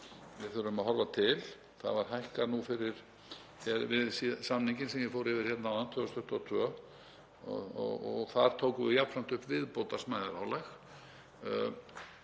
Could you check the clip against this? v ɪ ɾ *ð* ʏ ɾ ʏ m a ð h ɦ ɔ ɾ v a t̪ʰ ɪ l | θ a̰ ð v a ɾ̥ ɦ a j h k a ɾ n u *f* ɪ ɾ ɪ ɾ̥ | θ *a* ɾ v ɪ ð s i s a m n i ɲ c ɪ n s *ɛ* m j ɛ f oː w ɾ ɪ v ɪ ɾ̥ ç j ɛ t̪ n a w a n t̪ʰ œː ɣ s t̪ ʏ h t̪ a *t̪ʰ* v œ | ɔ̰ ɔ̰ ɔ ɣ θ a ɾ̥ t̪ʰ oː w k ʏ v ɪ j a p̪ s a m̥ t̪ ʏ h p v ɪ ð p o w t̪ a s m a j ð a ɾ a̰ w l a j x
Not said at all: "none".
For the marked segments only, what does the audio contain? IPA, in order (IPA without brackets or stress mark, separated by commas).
θ, f, ɛ, ɛ, t̪ʰ